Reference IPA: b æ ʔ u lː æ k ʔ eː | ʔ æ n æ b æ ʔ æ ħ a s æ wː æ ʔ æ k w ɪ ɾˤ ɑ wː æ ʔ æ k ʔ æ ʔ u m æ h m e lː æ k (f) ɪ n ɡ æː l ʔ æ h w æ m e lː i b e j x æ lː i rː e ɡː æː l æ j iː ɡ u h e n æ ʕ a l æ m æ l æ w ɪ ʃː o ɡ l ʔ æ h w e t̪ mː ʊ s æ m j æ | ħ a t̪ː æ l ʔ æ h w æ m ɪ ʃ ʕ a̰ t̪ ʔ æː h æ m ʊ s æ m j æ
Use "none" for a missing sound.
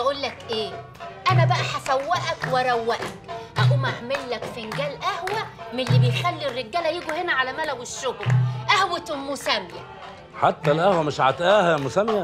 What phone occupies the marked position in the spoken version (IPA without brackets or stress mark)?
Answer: f